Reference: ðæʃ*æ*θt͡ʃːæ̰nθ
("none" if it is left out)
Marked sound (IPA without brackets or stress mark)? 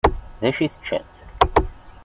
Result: i